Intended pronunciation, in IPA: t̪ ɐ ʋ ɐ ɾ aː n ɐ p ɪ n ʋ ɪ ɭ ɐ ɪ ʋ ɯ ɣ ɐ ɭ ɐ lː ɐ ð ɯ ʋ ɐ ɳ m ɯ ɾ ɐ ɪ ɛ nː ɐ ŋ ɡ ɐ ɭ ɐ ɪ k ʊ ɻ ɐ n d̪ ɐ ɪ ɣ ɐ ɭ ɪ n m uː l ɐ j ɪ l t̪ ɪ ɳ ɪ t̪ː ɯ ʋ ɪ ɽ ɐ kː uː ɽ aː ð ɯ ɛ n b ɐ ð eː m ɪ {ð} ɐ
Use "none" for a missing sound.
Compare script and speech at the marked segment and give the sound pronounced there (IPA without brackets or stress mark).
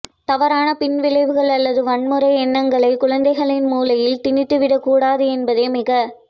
ɣ